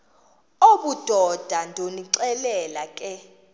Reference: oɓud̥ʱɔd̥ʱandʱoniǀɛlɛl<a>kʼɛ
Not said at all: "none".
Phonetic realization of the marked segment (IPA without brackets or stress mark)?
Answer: a